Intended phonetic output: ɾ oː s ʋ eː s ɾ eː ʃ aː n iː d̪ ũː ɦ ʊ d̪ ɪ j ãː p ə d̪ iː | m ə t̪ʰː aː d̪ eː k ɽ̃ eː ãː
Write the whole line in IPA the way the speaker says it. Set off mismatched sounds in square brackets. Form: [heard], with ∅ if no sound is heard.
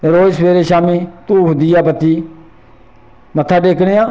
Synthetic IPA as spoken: ɾ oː s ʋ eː [∅] ɾ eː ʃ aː [m] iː [t̪] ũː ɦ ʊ d̪ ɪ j [aː] p ə [t̪] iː | m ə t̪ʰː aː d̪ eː k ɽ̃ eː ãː